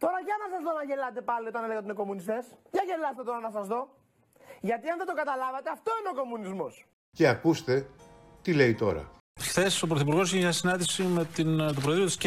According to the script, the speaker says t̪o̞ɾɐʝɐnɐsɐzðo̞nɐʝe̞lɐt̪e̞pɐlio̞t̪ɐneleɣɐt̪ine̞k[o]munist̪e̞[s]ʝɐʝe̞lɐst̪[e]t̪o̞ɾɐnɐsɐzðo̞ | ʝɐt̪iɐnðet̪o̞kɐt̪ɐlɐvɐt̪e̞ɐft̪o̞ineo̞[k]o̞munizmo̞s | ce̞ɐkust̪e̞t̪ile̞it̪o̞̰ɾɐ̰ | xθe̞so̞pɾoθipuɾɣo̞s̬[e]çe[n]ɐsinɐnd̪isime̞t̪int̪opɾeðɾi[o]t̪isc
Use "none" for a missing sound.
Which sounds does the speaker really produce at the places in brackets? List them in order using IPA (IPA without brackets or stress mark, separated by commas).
o, s, e, k, i, ɲ, o